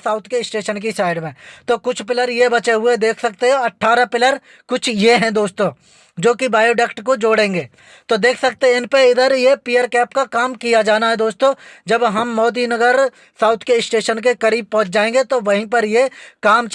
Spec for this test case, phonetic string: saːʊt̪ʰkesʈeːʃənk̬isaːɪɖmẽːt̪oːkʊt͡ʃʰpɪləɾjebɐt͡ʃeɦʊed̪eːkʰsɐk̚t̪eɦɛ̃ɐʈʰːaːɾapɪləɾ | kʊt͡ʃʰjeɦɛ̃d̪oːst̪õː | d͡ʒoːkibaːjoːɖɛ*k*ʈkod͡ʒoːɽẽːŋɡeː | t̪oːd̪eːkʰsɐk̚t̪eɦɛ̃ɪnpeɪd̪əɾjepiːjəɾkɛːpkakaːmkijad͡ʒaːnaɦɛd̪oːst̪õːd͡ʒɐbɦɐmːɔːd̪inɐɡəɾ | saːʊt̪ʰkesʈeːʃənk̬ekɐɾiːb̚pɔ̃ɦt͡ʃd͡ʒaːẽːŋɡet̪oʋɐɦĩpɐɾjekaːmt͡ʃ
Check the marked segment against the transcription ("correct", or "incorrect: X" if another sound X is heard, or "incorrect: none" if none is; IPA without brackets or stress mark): correct